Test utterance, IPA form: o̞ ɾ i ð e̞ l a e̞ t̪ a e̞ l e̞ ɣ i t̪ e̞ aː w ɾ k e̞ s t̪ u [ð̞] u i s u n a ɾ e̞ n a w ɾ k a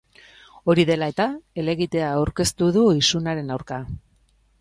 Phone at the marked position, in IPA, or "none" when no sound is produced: ð̞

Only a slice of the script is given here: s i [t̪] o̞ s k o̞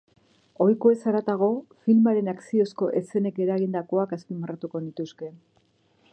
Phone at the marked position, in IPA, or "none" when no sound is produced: none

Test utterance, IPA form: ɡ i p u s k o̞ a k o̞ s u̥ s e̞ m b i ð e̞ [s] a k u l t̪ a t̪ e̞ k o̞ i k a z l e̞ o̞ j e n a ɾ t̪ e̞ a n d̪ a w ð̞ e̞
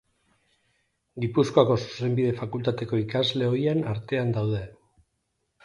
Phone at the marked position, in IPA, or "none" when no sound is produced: f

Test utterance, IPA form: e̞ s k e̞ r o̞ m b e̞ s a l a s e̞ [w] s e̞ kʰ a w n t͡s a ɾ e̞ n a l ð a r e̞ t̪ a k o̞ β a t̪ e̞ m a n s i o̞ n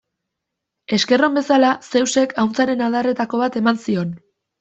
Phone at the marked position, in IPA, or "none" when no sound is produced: w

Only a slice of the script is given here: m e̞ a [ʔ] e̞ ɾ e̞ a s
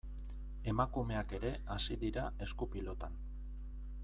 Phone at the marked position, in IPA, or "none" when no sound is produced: k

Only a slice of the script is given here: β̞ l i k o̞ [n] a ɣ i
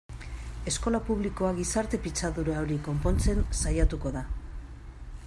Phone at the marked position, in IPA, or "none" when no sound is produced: none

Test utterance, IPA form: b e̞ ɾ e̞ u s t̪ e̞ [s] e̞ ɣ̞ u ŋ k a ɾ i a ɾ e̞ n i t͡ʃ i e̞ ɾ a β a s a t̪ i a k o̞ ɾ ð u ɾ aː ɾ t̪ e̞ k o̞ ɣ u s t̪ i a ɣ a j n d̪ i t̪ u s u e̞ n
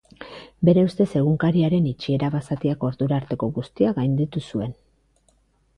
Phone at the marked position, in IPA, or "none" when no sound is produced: s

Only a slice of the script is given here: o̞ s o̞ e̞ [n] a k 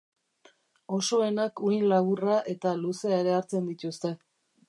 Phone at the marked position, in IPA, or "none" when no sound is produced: n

